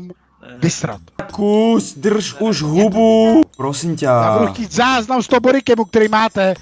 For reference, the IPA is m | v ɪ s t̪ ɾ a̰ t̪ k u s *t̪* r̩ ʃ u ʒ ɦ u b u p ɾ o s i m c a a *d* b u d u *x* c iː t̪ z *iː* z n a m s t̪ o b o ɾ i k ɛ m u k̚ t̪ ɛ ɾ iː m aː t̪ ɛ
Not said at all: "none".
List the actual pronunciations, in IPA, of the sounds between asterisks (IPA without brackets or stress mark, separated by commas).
d̪, none, x, aː